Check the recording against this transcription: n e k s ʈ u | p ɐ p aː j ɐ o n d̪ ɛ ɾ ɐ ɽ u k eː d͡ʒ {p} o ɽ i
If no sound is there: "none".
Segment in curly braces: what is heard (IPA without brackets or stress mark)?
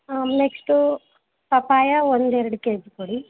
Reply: k